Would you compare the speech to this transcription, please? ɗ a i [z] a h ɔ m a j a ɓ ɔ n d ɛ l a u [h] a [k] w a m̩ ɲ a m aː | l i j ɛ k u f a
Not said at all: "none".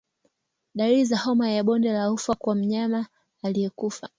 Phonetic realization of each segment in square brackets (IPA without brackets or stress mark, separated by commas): z, f, k